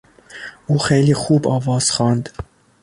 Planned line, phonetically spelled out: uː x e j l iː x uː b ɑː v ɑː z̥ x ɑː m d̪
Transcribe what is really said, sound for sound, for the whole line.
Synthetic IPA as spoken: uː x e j l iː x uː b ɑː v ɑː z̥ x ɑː n d̪